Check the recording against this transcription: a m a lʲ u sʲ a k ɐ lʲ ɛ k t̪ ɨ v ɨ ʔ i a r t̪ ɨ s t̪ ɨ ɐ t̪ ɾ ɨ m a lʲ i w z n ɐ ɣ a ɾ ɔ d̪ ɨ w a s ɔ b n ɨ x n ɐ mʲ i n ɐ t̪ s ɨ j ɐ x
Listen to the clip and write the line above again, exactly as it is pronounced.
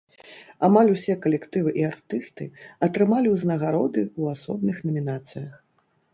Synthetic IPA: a m a lʲ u sʲ ɛ k ɐ lʲ ɛ k t̪ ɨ v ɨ ʔ i a r t̪ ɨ s t̪ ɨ ɐ t̪ ɾ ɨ m a lʲ i w z n ɐ ɣ a ɾ ɔ d̪ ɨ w a s ɔ b n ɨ x n ɐ mʲ i n a t̪ s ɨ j ɐ x